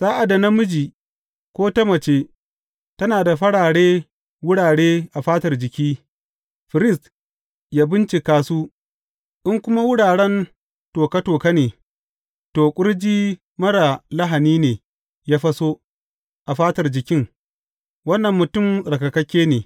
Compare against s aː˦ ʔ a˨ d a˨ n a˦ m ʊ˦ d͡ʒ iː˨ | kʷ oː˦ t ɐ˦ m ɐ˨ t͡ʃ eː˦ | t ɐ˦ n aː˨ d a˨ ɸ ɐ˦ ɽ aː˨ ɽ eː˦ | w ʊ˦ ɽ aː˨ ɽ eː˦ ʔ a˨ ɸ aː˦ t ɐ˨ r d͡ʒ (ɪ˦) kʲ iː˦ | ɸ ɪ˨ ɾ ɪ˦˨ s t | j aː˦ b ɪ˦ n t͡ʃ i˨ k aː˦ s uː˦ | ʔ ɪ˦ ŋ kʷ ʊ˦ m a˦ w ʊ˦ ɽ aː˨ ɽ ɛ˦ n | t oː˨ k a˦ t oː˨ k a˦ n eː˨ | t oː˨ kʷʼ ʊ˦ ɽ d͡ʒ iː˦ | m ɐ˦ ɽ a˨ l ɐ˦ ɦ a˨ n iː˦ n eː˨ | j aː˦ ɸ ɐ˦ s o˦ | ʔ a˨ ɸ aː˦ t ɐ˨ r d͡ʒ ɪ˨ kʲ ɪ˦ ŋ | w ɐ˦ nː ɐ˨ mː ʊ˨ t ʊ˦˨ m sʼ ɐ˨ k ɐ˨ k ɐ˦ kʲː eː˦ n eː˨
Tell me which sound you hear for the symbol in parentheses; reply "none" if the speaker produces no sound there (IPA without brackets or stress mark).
ɪ˨